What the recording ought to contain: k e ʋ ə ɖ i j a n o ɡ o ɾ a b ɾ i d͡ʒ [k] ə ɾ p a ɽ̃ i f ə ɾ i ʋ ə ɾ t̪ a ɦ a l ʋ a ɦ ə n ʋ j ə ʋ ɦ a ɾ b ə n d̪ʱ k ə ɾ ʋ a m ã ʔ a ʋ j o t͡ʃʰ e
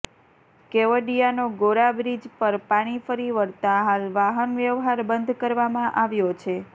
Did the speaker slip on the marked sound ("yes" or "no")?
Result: yes